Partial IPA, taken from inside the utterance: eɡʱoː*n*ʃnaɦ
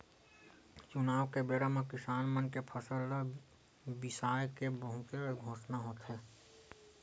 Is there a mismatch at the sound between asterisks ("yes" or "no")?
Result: yes